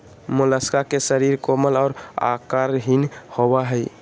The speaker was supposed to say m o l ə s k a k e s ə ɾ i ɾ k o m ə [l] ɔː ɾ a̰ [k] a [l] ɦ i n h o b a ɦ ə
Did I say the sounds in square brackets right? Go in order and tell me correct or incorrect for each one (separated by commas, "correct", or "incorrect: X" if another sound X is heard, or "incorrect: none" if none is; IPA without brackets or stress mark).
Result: correct, correct, incorrect: ɾ